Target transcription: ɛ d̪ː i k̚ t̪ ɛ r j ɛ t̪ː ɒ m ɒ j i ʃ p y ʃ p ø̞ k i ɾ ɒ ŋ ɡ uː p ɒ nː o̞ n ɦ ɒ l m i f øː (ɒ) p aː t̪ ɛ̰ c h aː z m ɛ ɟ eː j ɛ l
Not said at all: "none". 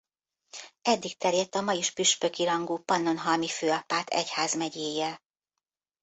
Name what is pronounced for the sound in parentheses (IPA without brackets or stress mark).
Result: ɒ